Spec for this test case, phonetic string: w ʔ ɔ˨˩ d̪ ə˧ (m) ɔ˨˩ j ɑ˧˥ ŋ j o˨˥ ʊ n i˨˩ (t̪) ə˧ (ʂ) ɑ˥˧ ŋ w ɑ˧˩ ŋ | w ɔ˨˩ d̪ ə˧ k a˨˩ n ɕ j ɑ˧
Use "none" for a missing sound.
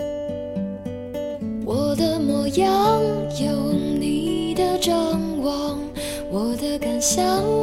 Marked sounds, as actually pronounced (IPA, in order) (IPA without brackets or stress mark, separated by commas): m, d̪, ʈ͡ʂ